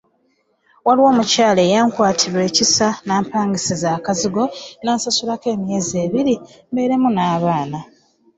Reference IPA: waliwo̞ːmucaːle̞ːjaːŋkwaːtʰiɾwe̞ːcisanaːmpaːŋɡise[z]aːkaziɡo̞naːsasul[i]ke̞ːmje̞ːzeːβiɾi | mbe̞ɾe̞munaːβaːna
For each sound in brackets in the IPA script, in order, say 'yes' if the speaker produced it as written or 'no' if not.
yes, no

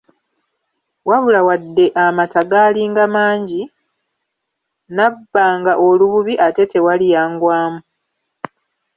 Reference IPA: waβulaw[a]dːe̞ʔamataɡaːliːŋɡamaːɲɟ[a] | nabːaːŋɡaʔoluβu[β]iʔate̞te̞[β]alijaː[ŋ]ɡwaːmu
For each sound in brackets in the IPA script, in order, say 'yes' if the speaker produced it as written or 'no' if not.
yes, no, yes, no, yes

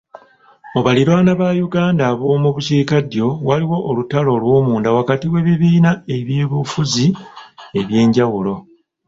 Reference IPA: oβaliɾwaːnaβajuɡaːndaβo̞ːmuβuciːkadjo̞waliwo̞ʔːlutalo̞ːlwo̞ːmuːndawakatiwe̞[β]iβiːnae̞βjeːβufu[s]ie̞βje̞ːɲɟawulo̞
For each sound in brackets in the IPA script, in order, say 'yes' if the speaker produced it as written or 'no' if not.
yes, no

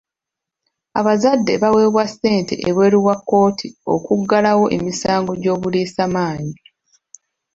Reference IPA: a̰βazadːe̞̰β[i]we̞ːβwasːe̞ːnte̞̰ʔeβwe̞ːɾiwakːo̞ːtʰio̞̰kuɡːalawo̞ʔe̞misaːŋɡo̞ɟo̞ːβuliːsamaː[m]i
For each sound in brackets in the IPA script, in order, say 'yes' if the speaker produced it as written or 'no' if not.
no, no

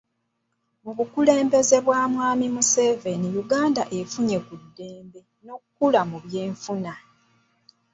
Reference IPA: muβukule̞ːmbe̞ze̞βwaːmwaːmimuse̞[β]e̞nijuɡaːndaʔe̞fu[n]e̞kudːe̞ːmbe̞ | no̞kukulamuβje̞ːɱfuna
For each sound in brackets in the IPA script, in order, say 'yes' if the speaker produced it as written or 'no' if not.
no, no

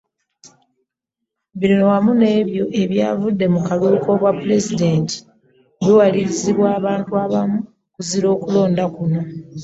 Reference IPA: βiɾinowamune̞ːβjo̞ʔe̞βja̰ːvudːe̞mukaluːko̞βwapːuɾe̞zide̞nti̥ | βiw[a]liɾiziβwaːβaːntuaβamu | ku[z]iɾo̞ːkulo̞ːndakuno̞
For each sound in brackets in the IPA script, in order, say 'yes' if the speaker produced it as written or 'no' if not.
yes, yes

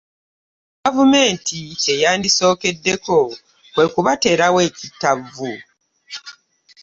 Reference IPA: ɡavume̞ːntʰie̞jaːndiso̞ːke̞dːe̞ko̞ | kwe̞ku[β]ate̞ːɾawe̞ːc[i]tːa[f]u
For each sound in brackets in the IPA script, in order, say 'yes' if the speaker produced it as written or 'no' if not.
yes, yes, no

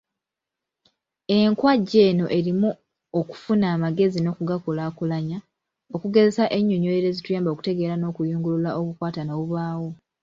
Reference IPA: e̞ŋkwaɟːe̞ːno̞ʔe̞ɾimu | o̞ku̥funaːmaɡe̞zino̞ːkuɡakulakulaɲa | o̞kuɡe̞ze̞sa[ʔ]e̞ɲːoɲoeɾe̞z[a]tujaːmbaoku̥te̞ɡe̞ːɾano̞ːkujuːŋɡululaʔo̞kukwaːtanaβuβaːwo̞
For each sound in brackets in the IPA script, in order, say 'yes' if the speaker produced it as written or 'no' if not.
yes, no

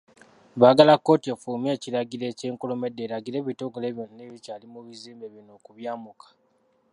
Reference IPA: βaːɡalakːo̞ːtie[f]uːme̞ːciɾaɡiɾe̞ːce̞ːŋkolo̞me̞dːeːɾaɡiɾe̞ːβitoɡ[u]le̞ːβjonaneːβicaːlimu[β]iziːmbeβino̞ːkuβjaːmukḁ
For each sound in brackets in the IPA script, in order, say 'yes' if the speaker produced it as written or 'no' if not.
yes, no, yes

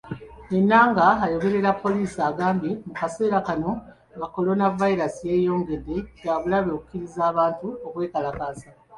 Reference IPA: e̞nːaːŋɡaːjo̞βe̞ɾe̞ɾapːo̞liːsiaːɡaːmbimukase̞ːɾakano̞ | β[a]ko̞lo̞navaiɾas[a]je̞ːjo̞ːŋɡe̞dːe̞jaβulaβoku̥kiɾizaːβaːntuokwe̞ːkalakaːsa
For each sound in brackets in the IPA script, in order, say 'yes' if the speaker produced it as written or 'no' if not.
yes, no

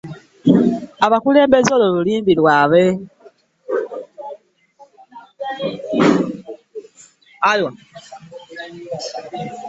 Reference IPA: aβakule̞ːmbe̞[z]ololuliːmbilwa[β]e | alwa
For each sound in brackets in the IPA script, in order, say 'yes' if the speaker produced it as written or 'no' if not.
yes, yes

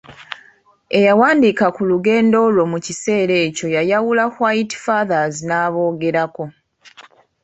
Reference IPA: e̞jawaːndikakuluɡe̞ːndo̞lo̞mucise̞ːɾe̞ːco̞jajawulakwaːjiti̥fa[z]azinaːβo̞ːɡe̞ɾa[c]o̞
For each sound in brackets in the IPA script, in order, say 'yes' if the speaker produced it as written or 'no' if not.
no, no

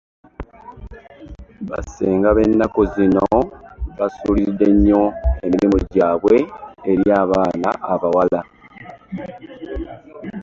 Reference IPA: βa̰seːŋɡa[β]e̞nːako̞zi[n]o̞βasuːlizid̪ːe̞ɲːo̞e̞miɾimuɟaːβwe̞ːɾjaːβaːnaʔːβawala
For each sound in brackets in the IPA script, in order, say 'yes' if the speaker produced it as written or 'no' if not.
yes, yes

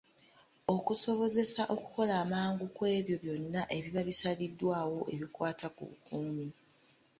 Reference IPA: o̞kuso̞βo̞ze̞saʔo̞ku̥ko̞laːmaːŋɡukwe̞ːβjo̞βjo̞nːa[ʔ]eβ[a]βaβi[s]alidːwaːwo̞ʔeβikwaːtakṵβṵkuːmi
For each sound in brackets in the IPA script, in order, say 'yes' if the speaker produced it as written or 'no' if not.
yes, no, yes

